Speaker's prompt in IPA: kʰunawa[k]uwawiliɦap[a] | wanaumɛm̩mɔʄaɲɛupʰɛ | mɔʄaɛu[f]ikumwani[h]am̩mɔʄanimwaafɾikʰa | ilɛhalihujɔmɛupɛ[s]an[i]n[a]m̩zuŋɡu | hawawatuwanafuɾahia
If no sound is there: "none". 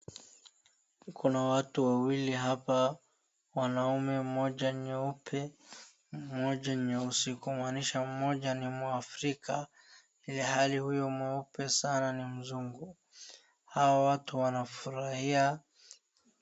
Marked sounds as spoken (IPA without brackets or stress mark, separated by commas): t, a, s, ʃ, s, a, i